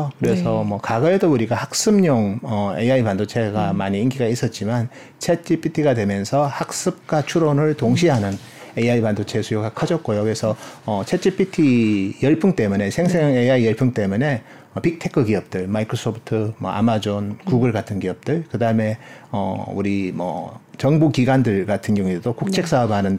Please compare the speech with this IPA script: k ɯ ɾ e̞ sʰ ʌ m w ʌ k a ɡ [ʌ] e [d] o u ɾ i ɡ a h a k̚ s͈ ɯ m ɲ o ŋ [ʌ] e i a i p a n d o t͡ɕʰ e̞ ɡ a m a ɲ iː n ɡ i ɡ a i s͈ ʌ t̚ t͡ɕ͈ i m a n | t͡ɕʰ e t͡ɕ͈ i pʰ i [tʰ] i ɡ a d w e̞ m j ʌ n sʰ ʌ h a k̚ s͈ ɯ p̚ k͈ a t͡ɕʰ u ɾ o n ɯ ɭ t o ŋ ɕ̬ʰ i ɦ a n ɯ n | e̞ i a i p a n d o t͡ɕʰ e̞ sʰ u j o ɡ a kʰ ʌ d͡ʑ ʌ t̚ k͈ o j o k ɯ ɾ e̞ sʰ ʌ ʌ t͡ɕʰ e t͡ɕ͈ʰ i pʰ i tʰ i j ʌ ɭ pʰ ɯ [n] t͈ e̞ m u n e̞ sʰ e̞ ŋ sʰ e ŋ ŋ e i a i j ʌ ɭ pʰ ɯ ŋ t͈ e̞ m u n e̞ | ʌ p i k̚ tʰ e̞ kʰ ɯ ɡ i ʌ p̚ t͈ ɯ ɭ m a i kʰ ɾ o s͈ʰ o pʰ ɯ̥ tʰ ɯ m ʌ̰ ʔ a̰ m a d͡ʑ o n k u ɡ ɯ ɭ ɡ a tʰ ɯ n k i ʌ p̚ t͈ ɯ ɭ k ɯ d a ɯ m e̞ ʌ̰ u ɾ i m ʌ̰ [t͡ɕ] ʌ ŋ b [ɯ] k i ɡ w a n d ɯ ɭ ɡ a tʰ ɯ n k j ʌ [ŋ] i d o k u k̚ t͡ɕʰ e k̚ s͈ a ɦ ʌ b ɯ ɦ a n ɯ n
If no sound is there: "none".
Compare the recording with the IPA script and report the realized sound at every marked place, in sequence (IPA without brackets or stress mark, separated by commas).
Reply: ʌ, d, ʌ, tʰ, ŋ, t͡ɕ, u, ŋ